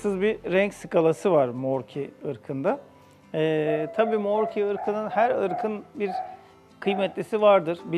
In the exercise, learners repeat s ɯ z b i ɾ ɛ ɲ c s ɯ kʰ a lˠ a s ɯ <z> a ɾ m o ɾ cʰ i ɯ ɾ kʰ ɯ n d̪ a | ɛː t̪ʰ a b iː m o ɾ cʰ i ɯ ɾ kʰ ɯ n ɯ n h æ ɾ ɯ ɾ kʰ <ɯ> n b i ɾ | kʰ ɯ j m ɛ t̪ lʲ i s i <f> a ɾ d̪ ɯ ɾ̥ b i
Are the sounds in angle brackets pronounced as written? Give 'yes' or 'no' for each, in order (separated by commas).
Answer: no, yes, no